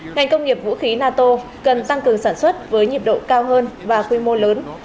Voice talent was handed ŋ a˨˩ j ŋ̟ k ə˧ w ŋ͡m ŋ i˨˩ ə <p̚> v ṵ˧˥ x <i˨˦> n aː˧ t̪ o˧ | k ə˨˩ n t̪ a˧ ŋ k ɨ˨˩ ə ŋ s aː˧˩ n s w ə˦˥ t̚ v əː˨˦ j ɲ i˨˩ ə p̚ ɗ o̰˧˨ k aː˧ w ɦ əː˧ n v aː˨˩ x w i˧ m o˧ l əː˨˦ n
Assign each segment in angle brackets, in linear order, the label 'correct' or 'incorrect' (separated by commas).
correct, correct